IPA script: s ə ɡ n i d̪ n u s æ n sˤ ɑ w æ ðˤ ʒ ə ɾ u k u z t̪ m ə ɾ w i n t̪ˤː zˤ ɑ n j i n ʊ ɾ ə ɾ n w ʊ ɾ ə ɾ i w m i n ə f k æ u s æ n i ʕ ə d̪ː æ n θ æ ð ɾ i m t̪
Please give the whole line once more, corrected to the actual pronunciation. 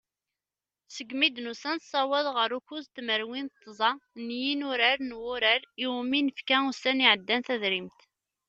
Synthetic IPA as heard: s ə ɡ m i d̪ n u s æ n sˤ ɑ w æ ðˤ ʁ ə ɾ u k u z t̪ m ə ɾ w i n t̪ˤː zˤ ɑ n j i n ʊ ɾ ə ɾ n w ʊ ɾ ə ɾ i w m i n ə f k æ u s æ n i ʕ ə d̪ː æ n θ æ ð ɾ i m t̪